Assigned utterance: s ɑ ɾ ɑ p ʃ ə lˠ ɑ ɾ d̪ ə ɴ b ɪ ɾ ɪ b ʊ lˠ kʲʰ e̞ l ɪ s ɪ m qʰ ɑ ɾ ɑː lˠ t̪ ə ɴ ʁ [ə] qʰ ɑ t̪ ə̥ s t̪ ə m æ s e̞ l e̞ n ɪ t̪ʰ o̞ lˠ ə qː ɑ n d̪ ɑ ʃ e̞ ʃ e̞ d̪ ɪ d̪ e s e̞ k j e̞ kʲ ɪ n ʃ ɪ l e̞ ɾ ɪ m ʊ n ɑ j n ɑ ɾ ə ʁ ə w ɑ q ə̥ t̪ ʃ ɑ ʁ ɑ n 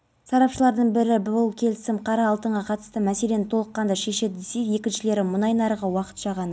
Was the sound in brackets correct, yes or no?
no